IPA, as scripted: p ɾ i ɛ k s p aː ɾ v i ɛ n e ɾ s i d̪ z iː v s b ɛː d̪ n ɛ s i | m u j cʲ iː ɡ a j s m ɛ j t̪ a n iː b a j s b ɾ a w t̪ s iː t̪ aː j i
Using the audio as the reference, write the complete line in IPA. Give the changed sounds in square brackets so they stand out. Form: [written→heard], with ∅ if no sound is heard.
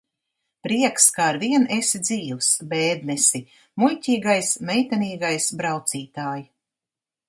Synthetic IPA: p ɾ i ɛ k s [p→k] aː ɾ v i ɛ n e [ɾ→∅] s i d̪ z iː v s b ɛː d̪ n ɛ s i | m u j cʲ iː ɡ a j s m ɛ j t̪ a n iː [b→ɡ] a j s b ɾ a w t̪ s iː t̪ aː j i